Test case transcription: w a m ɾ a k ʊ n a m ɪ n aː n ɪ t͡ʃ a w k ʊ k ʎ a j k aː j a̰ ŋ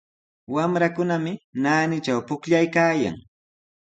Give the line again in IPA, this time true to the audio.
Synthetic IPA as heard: w a m ɾ a k ʊ n a m ɪ n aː n ɪ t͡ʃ a w p ʊ k ʎ a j k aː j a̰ ŋ